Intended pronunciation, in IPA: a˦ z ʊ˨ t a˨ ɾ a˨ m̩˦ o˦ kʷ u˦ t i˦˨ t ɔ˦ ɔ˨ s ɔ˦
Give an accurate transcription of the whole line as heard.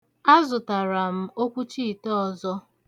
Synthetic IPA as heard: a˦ z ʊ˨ t a˨ ɾ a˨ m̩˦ o˦ kʷ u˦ t͡ʃ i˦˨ t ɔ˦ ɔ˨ z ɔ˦